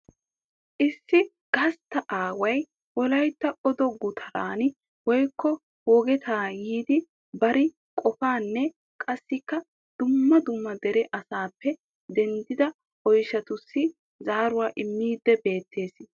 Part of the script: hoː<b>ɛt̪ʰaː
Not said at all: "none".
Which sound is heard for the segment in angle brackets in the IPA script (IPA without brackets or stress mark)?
ɡ